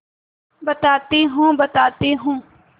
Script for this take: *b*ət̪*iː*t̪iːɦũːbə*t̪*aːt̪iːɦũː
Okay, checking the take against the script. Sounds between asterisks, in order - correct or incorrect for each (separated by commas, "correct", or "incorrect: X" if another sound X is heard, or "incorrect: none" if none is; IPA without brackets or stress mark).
correct, incorrect: aː, correct